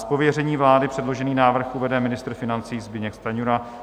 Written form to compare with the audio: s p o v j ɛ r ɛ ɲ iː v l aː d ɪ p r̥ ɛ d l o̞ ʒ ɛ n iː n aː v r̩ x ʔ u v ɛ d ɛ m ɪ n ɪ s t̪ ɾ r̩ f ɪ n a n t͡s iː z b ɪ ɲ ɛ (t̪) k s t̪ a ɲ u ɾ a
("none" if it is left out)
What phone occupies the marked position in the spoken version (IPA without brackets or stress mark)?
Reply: none